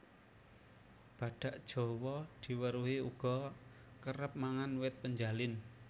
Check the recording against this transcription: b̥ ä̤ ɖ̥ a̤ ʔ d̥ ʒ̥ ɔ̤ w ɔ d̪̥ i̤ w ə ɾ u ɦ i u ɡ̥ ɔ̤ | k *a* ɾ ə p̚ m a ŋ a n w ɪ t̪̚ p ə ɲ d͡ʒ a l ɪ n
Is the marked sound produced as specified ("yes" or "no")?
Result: no